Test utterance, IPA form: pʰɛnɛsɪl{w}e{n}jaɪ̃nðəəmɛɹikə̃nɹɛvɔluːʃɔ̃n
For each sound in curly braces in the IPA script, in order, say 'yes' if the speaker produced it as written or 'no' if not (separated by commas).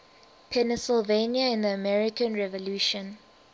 no, yes